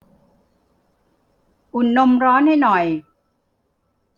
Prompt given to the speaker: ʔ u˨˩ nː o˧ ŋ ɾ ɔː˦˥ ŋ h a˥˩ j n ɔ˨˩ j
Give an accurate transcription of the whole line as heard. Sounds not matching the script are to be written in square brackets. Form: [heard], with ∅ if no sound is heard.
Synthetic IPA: ʔ u˨˩ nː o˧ [m] ɾ ɔː˦˥ [n] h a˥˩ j n ɔ˨˩ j